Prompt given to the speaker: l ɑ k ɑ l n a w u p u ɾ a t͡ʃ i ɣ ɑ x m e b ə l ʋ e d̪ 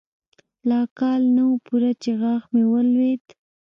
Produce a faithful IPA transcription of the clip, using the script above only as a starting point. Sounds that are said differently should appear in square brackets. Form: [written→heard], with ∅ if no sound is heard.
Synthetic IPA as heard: l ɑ k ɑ l n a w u p u ɾ a t͡ʃ [i→e] ɣ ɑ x m e [b→w] ə l [ʋ→w] e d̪